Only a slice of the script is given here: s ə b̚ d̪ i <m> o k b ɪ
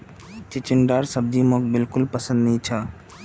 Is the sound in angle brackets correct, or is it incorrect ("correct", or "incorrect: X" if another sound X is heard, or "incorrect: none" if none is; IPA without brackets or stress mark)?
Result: correct